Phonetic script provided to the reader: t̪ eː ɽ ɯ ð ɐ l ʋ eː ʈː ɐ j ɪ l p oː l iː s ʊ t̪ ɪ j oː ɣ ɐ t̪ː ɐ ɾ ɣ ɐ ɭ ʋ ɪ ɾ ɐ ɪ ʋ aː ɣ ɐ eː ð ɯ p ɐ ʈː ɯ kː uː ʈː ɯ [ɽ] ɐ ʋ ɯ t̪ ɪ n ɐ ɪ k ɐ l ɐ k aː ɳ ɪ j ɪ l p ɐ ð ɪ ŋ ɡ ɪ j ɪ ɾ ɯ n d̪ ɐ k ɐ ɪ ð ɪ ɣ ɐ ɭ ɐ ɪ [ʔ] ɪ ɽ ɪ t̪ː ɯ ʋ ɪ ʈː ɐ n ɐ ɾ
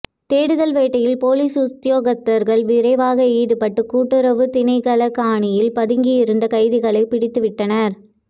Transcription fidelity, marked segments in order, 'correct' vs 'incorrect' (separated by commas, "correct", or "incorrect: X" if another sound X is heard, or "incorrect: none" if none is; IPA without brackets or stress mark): incorrect: ɾ, incorrect: p